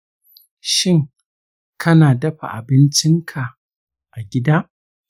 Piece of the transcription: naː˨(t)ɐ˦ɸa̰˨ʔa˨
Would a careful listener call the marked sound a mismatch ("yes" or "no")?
yes